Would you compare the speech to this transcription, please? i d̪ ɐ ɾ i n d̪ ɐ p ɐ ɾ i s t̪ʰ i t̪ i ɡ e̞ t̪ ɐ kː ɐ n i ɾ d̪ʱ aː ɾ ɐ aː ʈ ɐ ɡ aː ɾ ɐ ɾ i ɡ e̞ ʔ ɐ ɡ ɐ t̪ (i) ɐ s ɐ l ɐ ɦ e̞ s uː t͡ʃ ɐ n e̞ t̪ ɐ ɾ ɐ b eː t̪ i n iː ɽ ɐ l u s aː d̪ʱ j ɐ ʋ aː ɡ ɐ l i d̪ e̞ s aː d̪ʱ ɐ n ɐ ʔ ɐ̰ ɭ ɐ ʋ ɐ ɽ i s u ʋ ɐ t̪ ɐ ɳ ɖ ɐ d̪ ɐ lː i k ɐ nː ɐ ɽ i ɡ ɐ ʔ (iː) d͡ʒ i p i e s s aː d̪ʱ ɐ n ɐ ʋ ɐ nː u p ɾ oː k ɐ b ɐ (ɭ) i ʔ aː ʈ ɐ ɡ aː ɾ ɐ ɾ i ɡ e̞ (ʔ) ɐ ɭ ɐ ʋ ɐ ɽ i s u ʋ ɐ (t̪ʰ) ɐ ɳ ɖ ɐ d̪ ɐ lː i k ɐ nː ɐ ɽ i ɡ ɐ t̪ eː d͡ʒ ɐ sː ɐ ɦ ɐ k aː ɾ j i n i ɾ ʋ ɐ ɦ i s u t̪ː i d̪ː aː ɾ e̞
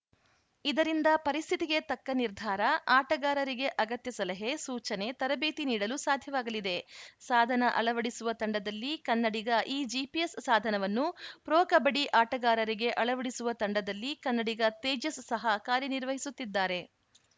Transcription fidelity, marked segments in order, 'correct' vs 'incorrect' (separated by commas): incorrect, correct, incorrect, correct, incorrect